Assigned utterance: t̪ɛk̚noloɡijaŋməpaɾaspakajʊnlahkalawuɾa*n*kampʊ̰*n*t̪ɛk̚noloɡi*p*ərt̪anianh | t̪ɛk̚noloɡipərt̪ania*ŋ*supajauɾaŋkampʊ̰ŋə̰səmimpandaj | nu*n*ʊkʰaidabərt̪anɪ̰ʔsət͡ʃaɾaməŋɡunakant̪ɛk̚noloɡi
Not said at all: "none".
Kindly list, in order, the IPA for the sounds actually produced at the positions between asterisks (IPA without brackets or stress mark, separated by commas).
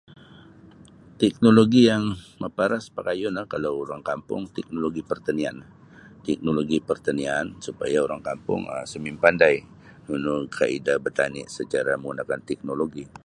ŋ, ŋ, p, n, n